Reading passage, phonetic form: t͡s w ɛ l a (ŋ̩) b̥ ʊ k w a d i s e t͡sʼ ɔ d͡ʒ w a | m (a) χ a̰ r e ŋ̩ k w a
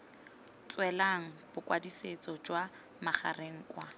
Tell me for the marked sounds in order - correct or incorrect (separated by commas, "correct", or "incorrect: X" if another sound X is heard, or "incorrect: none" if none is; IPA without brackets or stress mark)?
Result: correct, correct